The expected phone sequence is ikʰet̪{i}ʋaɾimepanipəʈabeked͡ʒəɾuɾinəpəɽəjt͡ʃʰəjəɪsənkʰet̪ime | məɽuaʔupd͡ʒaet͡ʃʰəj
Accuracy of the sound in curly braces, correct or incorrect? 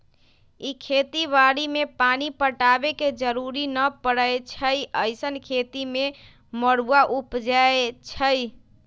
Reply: correct